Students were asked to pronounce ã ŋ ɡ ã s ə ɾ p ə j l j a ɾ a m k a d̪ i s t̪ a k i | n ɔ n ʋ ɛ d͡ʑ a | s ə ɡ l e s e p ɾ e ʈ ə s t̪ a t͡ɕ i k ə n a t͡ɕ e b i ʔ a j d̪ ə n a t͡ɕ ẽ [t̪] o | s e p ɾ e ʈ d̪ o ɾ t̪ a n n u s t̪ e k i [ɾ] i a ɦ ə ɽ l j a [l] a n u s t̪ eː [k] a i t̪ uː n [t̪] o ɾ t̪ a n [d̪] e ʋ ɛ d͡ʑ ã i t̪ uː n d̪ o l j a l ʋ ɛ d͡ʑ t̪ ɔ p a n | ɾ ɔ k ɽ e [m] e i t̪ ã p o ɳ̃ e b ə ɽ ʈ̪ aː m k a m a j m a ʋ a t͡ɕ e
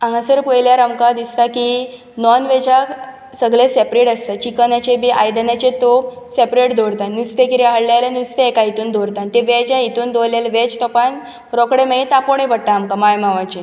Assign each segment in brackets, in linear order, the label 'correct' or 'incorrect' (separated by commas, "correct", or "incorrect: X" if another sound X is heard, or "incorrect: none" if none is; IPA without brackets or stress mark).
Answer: correct, correct, correct, correct, incorrect: d̪, incorrect: t̪, correct